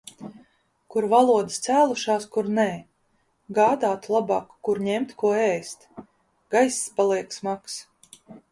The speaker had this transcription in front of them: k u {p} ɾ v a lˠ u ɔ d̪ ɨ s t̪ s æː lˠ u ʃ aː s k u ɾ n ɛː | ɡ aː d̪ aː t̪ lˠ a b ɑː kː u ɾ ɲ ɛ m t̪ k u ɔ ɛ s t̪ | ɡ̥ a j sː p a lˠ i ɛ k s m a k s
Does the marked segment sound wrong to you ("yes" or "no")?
yes